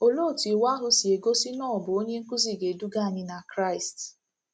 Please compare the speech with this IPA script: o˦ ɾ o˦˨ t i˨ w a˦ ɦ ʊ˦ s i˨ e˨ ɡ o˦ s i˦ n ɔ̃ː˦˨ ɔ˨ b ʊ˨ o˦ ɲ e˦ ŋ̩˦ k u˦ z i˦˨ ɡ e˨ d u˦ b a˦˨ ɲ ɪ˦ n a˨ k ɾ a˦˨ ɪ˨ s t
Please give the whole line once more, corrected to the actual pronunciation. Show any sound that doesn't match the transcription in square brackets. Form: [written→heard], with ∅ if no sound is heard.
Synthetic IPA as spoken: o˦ [ɾ→l] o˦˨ t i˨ w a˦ ɦ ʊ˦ s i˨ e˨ ɡ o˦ s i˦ n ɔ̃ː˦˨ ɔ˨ b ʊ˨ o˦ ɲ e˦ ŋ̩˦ k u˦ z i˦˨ ɡ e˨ d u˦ [b→ɡ] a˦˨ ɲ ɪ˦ n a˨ k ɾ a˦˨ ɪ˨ s t